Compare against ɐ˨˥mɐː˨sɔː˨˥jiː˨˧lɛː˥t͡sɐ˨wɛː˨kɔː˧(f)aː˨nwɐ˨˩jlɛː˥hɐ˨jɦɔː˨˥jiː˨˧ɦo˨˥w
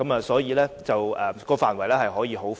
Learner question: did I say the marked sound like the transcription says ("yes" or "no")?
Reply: yes